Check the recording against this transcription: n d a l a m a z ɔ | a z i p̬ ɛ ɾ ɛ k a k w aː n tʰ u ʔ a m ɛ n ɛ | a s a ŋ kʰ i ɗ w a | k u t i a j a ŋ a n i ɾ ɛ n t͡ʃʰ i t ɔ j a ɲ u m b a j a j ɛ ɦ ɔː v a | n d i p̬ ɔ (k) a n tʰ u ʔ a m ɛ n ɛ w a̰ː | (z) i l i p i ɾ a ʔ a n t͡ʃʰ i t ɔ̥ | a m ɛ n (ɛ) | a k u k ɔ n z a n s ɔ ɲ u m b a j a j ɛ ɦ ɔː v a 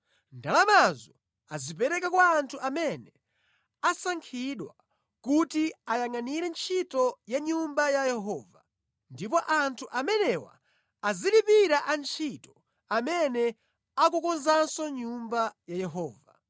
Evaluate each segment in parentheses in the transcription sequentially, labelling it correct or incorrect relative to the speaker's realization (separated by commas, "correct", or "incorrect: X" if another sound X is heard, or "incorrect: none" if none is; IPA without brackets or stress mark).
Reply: incorrect: ʔ, correct, correct